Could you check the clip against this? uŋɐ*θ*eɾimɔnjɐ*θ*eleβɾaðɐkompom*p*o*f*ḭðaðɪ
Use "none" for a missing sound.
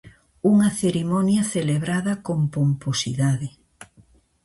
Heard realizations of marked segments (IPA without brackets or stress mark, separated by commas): θ, θ, p, s